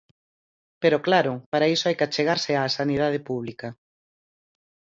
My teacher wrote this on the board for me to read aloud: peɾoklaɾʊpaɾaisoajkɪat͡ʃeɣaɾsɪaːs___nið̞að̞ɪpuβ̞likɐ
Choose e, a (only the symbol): a